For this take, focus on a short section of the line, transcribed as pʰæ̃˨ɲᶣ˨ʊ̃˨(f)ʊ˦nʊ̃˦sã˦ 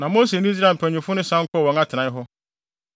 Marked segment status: correct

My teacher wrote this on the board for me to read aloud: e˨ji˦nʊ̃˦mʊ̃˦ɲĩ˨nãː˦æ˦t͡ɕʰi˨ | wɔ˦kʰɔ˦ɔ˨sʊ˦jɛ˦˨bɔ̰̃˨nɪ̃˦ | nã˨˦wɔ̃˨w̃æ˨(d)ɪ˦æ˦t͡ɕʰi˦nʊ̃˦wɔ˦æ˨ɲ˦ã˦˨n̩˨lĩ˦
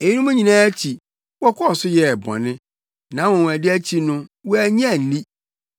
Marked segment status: correct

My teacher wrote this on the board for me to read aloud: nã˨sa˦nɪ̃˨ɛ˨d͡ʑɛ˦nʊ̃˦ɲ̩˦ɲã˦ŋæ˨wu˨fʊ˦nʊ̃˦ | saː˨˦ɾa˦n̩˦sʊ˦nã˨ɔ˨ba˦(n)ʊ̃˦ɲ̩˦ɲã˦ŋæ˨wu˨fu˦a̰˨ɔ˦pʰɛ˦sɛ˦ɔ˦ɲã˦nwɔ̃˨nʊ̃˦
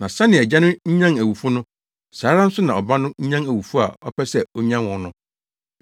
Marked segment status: correct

